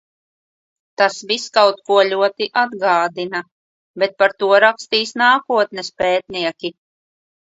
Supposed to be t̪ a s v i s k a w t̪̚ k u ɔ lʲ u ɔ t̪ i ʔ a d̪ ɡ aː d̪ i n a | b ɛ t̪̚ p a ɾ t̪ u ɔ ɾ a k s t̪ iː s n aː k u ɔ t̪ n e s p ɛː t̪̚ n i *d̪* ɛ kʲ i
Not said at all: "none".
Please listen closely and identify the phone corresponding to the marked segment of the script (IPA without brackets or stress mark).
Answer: none